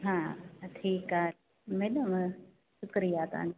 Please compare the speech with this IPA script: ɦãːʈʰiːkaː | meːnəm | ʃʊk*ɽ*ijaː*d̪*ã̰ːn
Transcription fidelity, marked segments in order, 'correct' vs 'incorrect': incorrect: ɾ, incorrect: t̪

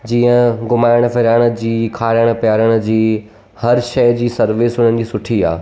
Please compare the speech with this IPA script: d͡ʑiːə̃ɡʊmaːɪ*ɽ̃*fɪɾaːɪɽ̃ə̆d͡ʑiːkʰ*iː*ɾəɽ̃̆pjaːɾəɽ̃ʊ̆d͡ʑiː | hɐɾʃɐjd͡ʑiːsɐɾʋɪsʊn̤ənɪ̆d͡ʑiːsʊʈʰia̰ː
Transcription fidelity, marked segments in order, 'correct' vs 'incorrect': correct, incorrect: aː

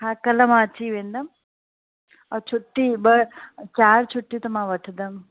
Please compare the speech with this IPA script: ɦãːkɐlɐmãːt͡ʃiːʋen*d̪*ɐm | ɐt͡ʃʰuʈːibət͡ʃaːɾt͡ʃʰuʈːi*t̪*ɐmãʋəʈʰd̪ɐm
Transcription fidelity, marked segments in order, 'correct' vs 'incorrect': correct, correct

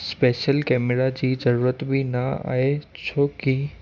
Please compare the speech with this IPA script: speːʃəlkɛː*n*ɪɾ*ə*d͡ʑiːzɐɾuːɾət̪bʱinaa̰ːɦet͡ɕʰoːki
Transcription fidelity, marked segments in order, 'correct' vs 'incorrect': incorrect: m, incorrect: a

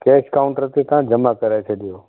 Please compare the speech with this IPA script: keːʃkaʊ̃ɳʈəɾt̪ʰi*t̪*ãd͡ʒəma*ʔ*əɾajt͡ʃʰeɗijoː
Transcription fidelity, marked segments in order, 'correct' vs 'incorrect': correct, incorrect: k

